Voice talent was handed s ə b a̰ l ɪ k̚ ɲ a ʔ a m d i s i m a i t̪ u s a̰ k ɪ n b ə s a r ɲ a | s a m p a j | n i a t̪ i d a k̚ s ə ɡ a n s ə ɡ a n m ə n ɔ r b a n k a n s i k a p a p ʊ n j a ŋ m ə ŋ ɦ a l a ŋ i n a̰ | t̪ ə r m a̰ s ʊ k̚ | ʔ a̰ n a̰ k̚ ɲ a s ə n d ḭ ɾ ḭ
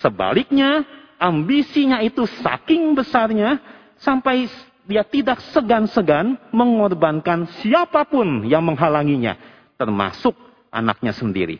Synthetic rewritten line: s ə b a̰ l ɪ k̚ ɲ a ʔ a m b i s i ɲ a i t̪ u s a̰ k ɪ ŋ b ə s a r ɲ a | s a m p a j | d i a t̪ i d a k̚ s ə ɡ a n s ə ɡ a n m ə ŋ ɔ r b a n k a n s i a p a p ʊ n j a ŋ m ə ŋ ɦ a l a ŋ i ɲ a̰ | t̪ ə r m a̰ s ʊ k̚ | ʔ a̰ n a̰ k̚ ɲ a s ə n d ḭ ɾ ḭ